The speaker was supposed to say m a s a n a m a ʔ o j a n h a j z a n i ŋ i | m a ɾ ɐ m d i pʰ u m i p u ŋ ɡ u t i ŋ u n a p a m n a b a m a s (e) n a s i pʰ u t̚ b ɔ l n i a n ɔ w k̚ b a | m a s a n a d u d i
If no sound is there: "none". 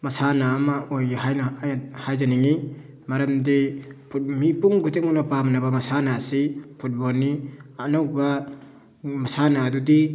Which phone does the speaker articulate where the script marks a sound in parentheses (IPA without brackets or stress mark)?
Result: a